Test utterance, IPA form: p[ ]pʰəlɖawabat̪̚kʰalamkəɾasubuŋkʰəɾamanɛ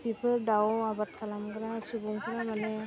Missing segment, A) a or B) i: B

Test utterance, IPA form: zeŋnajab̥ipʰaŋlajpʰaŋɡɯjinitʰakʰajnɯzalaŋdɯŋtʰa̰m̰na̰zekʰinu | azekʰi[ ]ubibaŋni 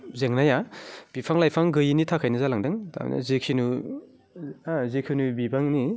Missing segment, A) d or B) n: B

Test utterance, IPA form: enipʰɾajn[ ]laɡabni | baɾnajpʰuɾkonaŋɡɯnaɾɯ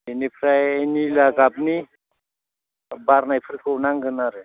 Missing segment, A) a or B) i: B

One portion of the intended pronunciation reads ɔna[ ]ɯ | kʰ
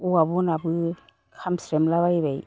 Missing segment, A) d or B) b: B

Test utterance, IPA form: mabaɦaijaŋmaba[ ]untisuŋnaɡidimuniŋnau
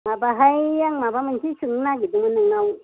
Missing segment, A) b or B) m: B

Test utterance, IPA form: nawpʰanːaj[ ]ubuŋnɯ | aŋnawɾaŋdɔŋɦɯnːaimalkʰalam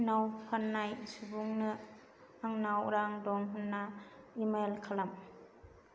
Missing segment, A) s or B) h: A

